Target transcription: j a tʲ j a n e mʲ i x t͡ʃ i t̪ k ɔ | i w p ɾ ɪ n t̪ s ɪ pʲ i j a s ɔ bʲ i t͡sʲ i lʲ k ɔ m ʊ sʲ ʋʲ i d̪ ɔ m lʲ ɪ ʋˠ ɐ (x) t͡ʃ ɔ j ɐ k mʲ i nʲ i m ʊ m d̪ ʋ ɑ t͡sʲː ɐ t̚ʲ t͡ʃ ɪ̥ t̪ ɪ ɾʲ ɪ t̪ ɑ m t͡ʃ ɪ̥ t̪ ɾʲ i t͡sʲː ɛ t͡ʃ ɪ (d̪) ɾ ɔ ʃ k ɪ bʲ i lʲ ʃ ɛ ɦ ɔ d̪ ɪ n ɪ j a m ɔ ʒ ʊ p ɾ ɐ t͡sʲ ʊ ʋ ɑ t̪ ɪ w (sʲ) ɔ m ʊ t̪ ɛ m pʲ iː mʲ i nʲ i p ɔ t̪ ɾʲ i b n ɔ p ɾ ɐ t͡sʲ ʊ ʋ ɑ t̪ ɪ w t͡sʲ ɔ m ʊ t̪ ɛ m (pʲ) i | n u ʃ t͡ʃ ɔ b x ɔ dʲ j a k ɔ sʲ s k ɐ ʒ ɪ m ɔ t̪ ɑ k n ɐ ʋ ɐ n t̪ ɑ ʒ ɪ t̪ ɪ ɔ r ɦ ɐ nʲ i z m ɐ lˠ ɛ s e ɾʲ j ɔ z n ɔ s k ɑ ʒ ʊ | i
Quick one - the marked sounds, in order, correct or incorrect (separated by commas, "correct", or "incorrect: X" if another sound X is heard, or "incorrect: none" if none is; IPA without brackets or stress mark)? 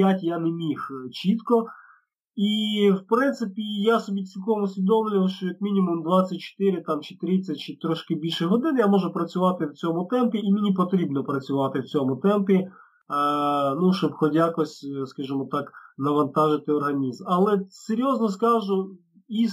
incorrect: ʃ, incorrect: t̪, incorrect: t͡sʲ, correct